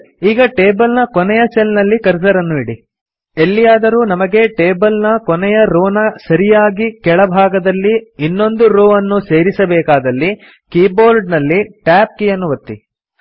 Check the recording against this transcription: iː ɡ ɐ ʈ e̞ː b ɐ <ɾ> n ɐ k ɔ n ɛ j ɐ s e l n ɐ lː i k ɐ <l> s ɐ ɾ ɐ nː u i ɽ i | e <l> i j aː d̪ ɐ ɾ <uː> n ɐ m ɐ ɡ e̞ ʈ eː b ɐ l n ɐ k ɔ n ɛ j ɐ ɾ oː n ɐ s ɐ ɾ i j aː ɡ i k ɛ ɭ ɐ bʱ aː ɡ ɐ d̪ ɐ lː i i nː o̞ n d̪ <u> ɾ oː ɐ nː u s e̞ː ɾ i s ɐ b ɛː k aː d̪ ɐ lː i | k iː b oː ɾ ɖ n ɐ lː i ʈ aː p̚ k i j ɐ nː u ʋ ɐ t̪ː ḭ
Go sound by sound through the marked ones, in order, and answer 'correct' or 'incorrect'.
incorrect: l, incorrect: ɾ, incorrect: lː, correct, correct

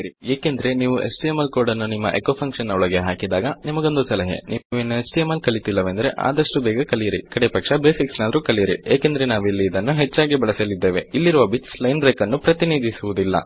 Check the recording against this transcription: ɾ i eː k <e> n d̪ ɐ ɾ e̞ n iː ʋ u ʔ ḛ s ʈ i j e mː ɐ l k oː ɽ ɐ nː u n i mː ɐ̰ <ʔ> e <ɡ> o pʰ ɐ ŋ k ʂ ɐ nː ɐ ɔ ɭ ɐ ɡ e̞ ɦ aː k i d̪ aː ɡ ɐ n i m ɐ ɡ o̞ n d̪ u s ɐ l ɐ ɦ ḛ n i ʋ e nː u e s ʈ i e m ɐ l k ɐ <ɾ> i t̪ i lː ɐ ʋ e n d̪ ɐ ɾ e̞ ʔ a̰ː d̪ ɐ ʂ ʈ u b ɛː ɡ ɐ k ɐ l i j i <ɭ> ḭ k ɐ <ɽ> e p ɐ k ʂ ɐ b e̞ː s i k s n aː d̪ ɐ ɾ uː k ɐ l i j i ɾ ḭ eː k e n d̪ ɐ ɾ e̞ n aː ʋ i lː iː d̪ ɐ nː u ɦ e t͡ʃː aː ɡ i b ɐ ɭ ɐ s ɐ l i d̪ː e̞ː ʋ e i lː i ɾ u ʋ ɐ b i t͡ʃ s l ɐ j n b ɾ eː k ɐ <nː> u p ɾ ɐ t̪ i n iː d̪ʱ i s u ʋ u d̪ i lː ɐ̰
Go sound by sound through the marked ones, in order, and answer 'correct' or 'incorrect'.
correct, correct, incorrect: k, incorrect: ɭ, incorrect: ɾ, correct, correct

